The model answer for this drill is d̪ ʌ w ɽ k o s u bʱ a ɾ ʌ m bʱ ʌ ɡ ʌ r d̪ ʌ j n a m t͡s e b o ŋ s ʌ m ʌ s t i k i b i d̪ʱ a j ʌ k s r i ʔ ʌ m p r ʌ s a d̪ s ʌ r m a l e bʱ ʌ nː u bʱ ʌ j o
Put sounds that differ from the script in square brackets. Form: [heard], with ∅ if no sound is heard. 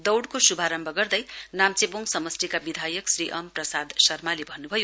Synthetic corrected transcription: d̪ ʌ w ɽ k o s u bʱ a ɾ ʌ m bʱ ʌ ɡ ʌ r d̪ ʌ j n a m t͡s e b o ŋ s ʌ m ʌ s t i k [a] b i d̪ʱ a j ʌ k s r i ʔ ʌ m p r ʌ s a d̪ s ʌ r m a l e bʱ ʌ nː u bʱ ʌ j o